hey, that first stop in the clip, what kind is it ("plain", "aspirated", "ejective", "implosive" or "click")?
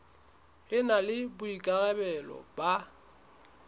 plain